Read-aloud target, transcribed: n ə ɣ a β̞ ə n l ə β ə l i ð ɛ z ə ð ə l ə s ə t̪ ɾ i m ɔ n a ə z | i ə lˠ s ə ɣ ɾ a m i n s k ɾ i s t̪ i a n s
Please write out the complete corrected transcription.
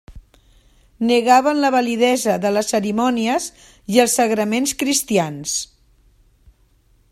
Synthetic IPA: n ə ɣ a β̞ ə n l ə β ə l i ð ɛ z ə ð ə l ə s ə ɾ i m ɔ n i ə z | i ə lˠ s ə ɣ ɾ ə m e n s k ɾ i s t̪ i a n s